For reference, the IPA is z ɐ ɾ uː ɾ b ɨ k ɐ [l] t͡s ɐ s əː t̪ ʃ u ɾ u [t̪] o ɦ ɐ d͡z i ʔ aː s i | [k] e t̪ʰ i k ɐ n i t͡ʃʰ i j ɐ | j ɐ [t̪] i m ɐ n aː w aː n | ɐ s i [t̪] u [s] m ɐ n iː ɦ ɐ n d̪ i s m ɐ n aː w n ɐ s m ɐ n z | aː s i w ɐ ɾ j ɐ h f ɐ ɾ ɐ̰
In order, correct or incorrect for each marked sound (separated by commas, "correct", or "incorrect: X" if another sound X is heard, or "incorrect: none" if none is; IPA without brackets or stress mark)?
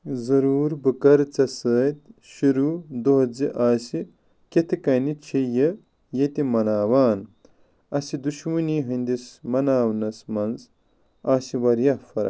incorrect: ɾ, incorrect: d̪, correct, correct, incorrect: d̪, incorrect: ʃ